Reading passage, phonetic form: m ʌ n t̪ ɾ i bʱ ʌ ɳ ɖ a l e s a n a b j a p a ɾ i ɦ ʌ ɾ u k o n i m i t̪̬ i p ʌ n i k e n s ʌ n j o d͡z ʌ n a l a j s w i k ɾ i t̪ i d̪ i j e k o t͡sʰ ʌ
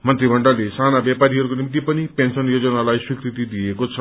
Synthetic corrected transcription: m ʌ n t̪ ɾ i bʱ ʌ ɳ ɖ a l e s a n a b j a p a ɾ i ɦ ʌ ɾ u k o n i m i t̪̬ i p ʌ n i p e n s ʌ n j o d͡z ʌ n a l a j s w i k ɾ i t̪ i d̪ i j e k o t͡sʰ ʌ